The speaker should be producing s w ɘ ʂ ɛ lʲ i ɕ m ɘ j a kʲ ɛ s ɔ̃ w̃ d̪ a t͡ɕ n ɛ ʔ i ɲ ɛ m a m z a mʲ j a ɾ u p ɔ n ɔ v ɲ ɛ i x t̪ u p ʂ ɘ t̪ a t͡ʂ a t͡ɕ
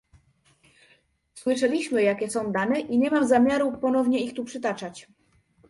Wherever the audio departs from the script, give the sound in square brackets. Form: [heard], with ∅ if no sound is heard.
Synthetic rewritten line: s w ɘ ʂ ɛ lʲ i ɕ m ɘ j a kʲ ɛ s ɔ̃ w̃ d̪ a [∅] n ɛ ʔ i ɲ ɛ m a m z a mʲ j a ɾ u p ɔ n ɔ v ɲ ɛ i x t̪ u p ʂ ɘ t̪ a t͡ʂ a t͡ɕ